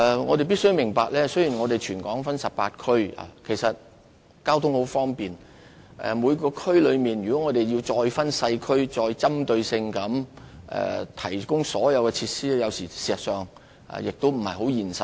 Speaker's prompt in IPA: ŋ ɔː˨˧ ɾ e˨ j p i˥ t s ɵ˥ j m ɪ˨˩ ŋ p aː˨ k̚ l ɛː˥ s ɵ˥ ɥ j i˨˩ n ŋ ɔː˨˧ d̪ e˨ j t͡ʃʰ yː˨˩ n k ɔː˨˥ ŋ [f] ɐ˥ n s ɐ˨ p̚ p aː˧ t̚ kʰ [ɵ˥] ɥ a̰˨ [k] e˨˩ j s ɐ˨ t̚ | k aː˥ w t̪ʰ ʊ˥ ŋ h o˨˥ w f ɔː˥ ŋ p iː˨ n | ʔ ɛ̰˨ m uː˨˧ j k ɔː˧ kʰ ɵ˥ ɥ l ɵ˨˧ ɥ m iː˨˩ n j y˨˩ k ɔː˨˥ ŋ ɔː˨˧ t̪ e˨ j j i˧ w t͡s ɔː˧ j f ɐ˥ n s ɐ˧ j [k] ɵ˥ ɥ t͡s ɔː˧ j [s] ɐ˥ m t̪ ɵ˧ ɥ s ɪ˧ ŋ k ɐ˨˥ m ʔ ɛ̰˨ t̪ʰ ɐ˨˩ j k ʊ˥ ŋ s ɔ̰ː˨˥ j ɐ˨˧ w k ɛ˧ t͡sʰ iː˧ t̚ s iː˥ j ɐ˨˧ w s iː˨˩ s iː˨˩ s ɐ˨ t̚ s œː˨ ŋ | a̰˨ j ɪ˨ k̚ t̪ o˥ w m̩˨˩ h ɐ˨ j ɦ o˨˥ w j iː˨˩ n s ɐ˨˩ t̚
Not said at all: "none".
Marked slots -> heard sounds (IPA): f, ɵ˥, kʰ, kʰ, t͡s

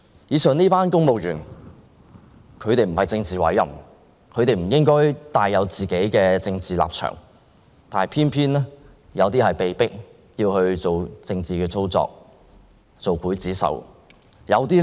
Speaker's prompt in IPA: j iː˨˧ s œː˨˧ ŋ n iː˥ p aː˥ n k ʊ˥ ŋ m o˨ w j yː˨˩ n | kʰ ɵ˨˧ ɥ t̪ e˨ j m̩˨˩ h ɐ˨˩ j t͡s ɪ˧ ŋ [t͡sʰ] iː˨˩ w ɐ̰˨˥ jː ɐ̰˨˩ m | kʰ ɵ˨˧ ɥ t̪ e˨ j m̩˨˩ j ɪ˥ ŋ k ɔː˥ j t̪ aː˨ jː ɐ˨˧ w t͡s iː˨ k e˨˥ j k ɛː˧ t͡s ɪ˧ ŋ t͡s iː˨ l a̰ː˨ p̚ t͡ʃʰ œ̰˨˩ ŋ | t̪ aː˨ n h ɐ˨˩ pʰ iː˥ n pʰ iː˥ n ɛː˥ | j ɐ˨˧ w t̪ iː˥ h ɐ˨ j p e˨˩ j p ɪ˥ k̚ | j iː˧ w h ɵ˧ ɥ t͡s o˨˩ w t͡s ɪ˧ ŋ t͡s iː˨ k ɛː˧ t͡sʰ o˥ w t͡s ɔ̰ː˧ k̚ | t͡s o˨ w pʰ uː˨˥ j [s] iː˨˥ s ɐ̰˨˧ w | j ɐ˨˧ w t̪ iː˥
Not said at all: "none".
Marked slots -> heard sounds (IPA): t͡s, t͡s

